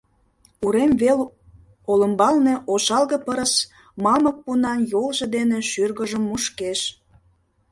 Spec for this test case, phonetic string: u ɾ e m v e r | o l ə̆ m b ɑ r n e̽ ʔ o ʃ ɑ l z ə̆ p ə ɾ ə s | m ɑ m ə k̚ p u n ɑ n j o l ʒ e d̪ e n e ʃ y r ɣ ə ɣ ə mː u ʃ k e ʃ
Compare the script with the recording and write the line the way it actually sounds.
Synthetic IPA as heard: u ɾ e m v e l | o l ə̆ m b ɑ l n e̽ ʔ o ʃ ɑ l ɣ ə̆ p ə ɾ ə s | m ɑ m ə k̚ p u n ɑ n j o l ʒ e d̪ e n e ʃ y r ɣ ə ʒ ə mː u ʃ k e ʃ